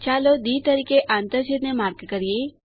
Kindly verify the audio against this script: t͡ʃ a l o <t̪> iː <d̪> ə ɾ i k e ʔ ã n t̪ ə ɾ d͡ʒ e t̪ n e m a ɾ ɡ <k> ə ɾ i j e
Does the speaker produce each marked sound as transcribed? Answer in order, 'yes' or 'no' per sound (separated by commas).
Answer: no, no, yes